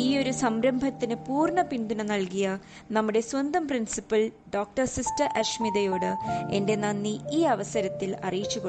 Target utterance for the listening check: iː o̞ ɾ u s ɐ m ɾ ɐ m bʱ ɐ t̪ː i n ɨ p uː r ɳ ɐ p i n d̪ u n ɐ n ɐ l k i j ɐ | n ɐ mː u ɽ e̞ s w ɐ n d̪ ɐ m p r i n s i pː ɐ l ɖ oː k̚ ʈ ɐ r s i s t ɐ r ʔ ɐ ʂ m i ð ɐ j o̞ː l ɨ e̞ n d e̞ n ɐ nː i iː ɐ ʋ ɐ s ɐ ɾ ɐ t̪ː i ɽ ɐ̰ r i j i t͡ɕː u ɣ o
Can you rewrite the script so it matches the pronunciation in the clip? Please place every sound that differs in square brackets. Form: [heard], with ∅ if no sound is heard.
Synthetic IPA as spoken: iː o̞ ɾ u s ɐ m ɾ ɐ m bʱ ɐ t̪ː i n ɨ p uː r ɳ ɐ p i n d̪ u n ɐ n ɐ l k i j ɐ | n ɐ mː u ɽ e̞ s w ɐ n d̪ ɐ m p r i n s i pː ɐ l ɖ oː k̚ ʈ ɐ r s i s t ɐ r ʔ ɐ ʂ m i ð ɐ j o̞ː [ɽ] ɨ e̞ n d e̞ n ɐ nː i iː ɐ ʋ ɐ s ɐ ɾ ɐ t̪ː i [l] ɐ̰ r i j i t͡ɕː u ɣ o